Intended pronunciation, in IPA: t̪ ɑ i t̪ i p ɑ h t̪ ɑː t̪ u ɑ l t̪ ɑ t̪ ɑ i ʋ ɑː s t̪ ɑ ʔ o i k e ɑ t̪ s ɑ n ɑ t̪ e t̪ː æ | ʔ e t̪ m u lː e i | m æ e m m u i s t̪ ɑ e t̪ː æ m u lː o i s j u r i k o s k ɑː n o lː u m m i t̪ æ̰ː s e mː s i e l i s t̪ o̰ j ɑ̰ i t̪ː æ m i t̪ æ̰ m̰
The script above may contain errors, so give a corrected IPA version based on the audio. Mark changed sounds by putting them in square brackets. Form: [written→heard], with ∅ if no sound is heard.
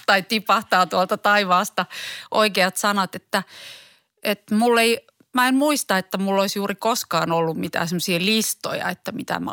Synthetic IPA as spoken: t̪ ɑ i t̪ i p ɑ h t̪ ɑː t̪ u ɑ l t̪ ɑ t̪ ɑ i ʋ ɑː s t̪ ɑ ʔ o i k e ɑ t̪ s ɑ n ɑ t̪ e t̪ː æ | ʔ e t̪ m u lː e i | m æ e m m u i s t̪ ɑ e t̪ː æ m u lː o i s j [u→uː] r i k o s k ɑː n o lː u m m i t̪ æ̰ː s e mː s i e l i s t̪ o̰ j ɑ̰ [i→e] t̪ː æ m i t̪ æ̰ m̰